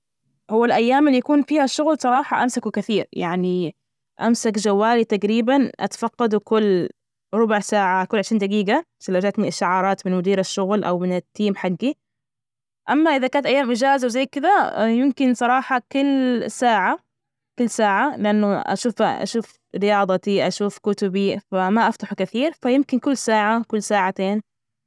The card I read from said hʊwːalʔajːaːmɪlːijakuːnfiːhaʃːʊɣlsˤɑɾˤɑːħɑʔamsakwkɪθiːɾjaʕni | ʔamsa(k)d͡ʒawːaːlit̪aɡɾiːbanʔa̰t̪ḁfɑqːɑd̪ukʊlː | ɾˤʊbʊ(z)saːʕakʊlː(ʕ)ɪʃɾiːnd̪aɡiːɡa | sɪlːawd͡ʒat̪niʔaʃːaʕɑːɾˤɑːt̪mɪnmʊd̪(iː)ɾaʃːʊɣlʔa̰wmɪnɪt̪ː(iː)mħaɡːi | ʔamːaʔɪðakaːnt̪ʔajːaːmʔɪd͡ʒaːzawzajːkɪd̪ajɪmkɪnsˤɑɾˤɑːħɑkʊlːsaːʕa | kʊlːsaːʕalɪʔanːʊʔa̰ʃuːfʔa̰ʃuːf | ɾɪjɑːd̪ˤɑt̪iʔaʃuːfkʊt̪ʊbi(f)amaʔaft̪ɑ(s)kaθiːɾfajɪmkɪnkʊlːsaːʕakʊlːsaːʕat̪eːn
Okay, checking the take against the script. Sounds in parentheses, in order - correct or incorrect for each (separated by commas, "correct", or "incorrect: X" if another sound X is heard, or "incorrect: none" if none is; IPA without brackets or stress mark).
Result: correct, incorrect: ʕ, correct, correct, correct, correct, incorrect: ħ